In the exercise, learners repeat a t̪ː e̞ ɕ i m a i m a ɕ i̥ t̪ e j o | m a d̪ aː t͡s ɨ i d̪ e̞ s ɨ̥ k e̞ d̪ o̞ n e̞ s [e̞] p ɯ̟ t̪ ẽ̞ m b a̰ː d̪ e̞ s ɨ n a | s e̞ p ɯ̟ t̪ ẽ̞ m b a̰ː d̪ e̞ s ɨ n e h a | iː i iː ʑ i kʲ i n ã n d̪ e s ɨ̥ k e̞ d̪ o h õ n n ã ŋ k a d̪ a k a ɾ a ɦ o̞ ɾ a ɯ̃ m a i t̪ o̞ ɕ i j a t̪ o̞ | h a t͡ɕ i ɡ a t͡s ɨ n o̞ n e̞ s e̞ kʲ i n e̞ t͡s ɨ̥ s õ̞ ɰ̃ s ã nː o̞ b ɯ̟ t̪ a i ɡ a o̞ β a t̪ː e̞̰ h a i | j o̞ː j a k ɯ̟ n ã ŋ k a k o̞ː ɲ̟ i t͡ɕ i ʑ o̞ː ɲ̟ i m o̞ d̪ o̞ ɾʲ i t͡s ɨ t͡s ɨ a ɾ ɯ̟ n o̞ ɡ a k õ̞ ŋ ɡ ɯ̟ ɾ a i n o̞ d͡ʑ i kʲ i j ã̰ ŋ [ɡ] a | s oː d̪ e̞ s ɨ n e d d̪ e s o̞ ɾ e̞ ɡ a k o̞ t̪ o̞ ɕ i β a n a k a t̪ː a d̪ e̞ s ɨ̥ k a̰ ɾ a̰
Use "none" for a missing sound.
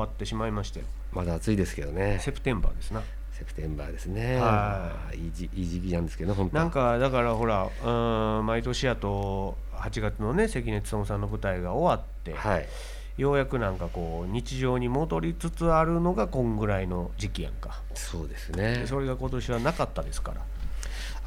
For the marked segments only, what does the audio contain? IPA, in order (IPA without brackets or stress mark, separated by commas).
e̞, k